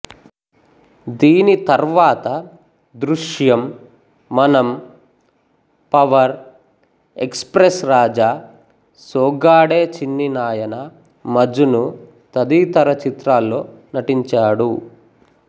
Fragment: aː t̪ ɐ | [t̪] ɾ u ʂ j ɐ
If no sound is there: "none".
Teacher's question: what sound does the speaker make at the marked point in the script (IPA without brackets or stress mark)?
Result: d̪